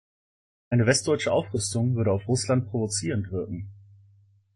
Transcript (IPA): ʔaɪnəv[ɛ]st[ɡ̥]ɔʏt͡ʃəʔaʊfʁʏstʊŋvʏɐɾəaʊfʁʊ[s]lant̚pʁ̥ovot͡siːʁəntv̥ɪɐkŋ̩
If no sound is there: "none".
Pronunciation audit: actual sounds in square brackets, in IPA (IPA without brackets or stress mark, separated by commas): ɛ, d̥, s